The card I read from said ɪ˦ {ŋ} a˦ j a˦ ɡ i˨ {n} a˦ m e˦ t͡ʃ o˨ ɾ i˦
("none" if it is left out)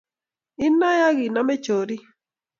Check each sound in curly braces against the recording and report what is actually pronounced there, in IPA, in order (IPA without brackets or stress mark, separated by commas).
n, n